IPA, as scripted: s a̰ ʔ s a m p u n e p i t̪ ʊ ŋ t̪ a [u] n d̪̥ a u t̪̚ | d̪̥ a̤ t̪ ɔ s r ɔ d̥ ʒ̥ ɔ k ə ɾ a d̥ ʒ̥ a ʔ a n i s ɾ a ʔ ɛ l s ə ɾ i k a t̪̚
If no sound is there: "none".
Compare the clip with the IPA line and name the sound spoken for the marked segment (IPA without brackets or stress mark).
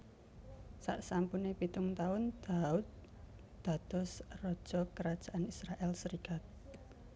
ʊ